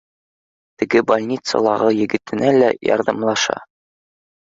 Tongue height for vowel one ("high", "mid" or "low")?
mid